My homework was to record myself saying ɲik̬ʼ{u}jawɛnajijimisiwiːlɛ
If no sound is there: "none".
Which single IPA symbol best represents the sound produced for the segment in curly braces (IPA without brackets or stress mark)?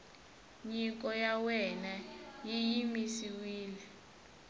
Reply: ɔ